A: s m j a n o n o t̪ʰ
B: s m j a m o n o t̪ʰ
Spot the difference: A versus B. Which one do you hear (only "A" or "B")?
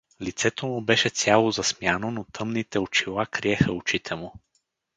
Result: A